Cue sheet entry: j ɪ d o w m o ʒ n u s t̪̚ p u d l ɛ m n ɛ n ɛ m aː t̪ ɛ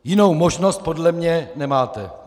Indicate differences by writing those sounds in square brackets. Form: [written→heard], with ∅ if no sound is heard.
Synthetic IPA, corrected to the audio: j ɪ [d→n] o w m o ʒ n [u→o] s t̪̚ p [u→o] d l ɛ m [n→ɲ] ɛ n ɛ m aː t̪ ɛ